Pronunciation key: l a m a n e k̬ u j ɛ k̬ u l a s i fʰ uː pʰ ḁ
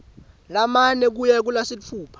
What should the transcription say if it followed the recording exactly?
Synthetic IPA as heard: l a m a n ɛ k̬ u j ɛ k̬ u l a s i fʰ uː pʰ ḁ